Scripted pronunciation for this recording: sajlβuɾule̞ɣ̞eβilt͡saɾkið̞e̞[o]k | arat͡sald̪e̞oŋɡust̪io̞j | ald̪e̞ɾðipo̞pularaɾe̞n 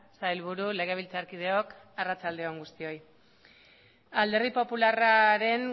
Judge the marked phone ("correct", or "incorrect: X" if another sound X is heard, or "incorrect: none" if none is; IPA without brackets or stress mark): correct